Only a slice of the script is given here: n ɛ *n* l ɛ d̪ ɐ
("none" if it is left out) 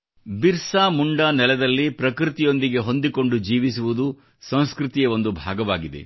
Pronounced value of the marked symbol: none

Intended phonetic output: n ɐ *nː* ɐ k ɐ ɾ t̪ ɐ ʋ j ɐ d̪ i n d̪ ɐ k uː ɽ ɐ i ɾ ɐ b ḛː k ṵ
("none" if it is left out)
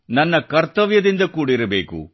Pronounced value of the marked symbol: nː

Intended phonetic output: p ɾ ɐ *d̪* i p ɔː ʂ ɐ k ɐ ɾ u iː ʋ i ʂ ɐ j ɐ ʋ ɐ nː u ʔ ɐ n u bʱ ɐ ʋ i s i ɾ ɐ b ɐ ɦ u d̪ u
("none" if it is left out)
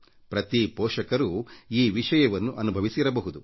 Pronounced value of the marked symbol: t̪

